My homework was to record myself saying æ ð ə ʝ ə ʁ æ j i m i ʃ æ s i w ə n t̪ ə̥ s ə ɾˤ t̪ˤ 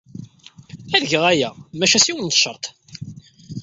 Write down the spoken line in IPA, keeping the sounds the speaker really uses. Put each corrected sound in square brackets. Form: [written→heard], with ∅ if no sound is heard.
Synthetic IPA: æ ð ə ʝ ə ʁ æ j [i→æ] m [i→æ] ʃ æ s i w ə n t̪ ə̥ [s→ʃ] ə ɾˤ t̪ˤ